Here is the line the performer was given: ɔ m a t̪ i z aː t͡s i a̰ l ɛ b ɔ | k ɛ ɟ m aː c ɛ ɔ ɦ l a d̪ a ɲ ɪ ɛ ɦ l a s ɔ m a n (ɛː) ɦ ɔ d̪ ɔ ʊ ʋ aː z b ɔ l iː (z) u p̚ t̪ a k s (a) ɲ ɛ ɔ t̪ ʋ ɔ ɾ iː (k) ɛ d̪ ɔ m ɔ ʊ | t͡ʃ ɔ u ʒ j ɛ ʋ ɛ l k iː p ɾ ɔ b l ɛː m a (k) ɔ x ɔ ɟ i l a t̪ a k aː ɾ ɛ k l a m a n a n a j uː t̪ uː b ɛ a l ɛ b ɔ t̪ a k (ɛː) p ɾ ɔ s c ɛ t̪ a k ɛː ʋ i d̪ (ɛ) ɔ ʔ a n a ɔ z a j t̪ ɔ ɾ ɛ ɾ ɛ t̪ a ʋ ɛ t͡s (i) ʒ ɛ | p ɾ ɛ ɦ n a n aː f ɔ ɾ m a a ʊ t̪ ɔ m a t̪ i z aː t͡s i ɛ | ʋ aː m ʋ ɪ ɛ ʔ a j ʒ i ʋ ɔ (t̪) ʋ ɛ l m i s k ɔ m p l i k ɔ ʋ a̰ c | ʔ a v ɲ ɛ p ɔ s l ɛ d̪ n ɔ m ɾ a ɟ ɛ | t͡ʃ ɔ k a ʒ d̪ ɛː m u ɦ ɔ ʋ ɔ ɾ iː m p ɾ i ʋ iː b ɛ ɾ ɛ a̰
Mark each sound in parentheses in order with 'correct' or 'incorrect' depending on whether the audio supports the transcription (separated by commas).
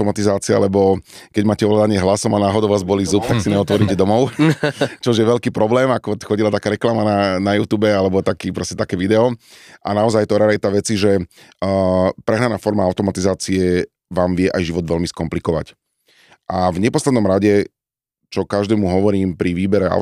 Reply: incorrect, correct, incorrect, incorrect, correct, incorrect, correct, correct, incorrect